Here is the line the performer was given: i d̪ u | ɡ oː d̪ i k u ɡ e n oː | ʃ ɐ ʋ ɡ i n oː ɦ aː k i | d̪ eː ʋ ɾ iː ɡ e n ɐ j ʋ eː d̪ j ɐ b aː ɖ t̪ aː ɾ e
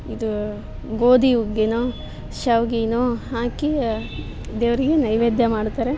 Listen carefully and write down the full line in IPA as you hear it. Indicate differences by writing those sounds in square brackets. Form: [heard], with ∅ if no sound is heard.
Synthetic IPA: i d̪ u | ɡ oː d̪ i [∅] u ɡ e n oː | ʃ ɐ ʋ ɡ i n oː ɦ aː k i | d̪ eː ʋ ɾ [i] ɡ e n ɐ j ʋ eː d̪ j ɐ [m] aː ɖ t̪ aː ɾ e